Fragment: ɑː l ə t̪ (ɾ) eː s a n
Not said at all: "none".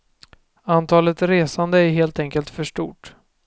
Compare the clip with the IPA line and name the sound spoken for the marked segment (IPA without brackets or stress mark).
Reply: ɾ